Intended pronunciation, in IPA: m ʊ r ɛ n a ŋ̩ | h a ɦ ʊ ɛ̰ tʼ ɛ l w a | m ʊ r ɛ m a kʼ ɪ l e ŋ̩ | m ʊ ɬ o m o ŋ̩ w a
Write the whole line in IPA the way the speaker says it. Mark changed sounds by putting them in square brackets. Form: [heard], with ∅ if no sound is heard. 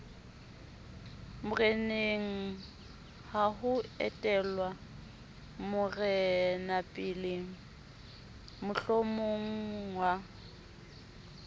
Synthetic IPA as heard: m ʊ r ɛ n [e] ŋ̩ | h a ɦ ʊ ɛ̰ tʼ ɛ l w a | m ʊ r ɛ [n] a [pʼ] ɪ l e ŋ̩ | m ʊ ɬ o m o ŋ̩ w a